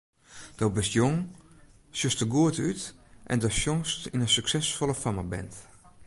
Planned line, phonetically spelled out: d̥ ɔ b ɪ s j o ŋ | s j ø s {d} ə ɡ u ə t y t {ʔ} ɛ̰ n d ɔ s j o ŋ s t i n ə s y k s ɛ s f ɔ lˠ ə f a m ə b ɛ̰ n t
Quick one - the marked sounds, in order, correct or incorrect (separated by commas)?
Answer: incorrect, correct